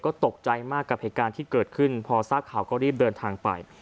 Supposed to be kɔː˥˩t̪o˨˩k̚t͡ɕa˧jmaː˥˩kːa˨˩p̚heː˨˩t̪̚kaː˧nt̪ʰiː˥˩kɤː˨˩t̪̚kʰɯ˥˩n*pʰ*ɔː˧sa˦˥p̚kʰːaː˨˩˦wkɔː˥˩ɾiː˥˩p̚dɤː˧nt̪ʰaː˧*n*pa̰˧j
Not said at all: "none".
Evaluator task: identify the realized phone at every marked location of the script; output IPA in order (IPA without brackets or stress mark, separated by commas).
pʰ, ŋ